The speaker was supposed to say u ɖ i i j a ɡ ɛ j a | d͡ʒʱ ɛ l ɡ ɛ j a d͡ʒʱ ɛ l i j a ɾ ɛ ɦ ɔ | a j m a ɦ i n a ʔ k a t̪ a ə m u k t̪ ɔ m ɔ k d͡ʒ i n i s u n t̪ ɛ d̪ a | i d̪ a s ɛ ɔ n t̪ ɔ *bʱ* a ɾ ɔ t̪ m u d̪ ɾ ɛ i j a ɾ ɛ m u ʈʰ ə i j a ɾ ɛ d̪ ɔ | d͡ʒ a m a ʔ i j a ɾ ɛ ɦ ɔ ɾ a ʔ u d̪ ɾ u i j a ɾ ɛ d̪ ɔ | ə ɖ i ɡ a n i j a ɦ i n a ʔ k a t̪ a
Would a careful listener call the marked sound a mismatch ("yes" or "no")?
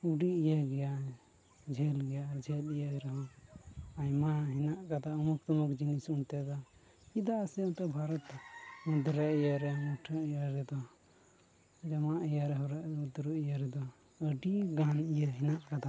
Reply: no